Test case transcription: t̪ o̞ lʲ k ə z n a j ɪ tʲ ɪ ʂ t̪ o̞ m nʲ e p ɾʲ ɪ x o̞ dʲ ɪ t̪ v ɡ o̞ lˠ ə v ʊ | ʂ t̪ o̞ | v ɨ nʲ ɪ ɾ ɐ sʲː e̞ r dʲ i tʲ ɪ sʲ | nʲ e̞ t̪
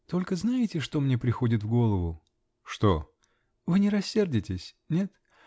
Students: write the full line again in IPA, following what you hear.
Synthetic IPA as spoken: t̪ o̞ lʲ k ə z n a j ɪ tʲ ɪ ʂ t̪ o̞ m nʲ e p ɾʲ ɪ x o̞ dʲ ɪ t̪ v ɡ o̞ lˠ ə v ʊ | ʂ t̪ o̞ | v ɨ nʲ ɪ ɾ ɐ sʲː e̞ r dʲ ɪ tʲ ɪ sʲ | nʲ e̞ t̪